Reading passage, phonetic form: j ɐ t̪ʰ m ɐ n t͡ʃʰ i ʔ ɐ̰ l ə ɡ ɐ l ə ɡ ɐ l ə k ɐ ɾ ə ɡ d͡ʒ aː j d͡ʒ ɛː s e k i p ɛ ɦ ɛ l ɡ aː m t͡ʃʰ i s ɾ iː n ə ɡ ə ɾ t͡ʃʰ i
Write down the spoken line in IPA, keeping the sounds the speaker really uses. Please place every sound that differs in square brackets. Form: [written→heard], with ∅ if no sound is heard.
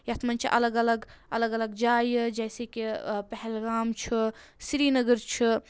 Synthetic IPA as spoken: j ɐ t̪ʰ m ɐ n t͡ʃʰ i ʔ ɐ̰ l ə ɡ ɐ l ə ɡ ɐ l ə [k→ɡ] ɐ [ɾ→l] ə ɡ d͡ʒ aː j d͡ʒ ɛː s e k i p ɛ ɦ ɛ l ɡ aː m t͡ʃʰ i s ɾ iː n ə ɡ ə ɾ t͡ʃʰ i